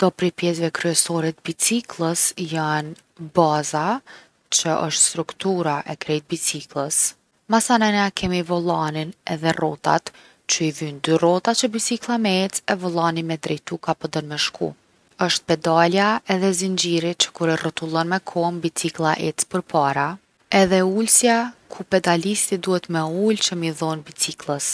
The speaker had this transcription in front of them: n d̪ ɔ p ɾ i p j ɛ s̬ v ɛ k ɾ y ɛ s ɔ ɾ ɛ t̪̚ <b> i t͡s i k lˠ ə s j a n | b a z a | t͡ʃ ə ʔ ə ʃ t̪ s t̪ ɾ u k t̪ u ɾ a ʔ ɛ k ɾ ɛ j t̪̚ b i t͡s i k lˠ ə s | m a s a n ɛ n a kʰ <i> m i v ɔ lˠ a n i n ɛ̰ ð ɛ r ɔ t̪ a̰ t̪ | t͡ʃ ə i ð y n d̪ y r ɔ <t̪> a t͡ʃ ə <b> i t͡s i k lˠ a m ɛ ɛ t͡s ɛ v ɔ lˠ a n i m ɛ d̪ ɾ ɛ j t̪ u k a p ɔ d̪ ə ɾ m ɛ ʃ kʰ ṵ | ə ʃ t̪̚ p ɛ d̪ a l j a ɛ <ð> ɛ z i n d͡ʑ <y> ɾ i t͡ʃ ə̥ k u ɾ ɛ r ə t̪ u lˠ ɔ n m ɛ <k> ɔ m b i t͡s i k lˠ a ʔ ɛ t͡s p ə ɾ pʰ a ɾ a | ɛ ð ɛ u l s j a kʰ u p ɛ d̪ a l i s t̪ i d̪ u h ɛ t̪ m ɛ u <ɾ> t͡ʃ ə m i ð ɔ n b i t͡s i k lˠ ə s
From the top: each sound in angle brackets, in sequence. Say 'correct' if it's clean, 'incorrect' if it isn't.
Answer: correct, incorrect: ɛ, correct, correct, correct, incorrect: i, incorrect: kʰ, incorrect: l

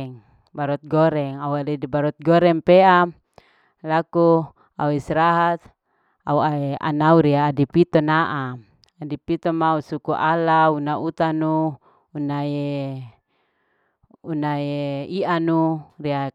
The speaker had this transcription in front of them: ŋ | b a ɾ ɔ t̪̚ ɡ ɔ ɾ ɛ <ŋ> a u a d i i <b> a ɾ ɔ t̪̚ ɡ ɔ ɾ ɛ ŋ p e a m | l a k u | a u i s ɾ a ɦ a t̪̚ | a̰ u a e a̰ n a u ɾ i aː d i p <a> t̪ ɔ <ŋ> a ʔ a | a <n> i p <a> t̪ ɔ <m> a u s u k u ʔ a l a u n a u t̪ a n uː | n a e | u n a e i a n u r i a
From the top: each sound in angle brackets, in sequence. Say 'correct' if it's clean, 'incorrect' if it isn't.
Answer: correct, correct, incorrect: i, incorrect: n, incorrect: d, incorrect: i, correct

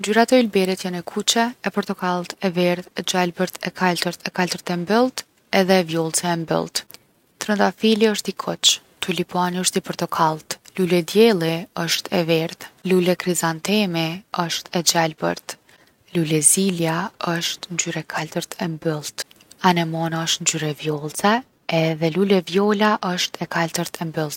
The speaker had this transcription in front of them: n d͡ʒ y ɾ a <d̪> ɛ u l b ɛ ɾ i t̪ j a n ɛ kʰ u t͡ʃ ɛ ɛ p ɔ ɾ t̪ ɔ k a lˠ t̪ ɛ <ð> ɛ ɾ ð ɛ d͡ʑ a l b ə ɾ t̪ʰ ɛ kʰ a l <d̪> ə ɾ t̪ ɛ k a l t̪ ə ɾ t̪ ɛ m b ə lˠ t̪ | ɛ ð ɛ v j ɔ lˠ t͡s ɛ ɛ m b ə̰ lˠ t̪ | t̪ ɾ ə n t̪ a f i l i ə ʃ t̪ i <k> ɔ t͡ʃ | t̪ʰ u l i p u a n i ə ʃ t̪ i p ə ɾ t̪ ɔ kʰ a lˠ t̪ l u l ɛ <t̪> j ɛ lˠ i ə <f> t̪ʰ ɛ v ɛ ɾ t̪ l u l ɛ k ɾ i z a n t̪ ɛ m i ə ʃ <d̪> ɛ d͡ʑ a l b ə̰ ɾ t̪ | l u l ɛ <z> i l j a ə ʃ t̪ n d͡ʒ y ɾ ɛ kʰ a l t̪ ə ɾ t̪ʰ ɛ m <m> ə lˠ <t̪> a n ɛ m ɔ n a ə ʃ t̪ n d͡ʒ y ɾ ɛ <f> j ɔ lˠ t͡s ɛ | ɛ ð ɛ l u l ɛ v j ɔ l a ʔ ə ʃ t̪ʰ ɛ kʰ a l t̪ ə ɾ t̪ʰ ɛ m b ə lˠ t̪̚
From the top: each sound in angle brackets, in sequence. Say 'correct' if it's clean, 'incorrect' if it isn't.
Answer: incorrect: t̪, incorrect: v, incorrect: t̪, incorrect: kʰ, incorrect: d̪, incorrect: ʃ, incorrect: t̪, correct, incorrect: b, correct, incorrect: v

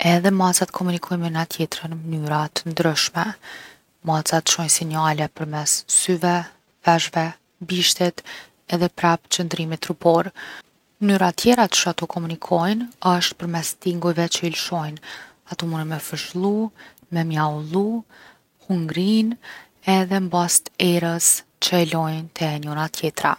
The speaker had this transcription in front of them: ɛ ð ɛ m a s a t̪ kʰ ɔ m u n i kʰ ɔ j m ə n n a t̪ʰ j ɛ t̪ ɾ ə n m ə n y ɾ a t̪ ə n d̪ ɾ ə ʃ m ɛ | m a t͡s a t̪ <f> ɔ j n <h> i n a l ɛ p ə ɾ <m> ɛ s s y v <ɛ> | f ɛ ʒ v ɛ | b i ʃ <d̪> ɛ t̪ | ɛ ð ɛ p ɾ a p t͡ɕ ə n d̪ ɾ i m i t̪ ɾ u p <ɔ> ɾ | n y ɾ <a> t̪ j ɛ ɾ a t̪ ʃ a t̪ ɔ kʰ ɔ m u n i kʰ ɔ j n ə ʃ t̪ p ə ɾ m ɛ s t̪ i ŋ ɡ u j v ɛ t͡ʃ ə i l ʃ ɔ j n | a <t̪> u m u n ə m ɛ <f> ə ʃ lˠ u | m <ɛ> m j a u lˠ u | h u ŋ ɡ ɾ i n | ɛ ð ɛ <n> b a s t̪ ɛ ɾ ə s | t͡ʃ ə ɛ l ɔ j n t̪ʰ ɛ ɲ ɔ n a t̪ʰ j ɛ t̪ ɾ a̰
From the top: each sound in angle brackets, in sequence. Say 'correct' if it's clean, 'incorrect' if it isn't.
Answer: incorrect: ʃ, incorrect: s, correct, correct, incorrect: t̪, correct, correct, correct, correct, correct, incorrect: m

